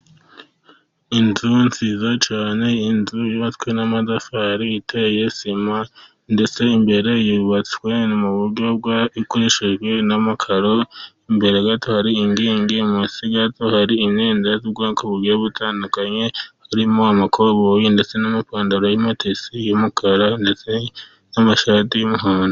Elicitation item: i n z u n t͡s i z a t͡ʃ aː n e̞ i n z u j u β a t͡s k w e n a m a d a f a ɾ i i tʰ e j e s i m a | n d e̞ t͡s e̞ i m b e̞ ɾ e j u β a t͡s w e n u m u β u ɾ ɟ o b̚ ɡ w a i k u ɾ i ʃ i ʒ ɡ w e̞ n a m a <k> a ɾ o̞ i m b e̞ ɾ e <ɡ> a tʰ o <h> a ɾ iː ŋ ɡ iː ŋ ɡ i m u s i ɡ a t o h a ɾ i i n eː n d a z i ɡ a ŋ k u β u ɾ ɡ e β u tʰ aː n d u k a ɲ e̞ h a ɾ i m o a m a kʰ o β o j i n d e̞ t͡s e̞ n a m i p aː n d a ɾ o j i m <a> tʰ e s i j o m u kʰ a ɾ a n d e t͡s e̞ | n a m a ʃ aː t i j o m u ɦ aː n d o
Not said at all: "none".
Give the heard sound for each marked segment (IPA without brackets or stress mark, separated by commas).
kʰ, ɡ, h, a